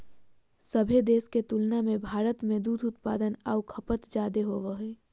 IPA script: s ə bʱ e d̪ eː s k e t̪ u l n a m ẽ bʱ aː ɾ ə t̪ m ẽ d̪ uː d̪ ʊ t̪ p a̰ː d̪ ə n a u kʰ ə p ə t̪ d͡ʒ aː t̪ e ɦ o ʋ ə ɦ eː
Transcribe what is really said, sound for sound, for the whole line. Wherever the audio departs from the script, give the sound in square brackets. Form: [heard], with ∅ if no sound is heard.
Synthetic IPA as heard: s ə bʱ e d̪ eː s k e t̪ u l n a m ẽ bʱ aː ɾ ə t̪ m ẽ d̪ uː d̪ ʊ t̪ p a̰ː d̪ ə n a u kʰ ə p ə t̪ d͡ʒ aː [d̪] e ɦ o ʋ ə ɦ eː